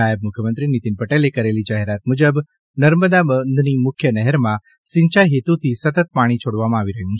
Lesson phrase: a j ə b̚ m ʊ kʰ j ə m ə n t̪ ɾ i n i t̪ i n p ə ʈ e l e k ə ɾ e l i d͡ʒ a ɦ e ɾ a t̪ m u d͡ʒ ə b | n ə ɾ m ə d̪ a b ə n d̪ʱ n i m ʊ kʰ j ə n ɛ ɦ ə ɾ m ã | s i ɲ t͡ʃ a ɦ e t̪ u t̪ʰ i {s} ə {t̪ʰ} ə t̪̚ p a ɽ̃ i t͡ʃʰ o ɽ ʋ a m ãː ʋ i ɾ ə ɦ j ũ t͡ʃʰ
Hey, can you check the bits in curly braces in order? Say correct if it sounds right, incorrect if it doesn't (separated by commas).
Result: correct, incorrect